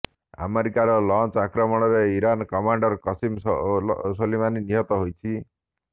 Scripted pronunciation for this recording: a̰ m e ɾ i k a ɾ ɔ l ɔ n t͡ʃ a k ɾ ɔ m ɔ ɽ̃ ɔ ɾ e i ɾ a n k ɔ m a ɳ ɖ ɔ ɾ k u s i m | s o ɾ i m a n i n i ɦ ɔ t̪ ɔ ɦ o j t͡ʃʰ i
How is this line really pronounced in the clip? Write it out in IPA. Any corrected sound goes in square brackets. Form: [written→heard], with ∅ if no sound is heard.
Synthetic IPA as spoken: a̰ m e ɾ i k a ɾ ɔ l ɔ n t͡ʃ a k ɾ ɔ m ɔ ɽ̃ ɔ ɾ e i ɾ a n k ɔ m a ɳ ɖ ɔ ɾ k [u→ɔ] s i m | s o [ɾ→l] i m a n i n i ɦ ɔ t̪ ɔ ɦ o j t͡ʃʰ i